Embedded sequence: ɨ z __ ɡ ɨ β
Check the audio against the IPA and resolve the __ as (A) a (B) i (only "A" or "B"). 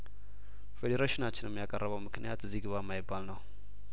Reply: B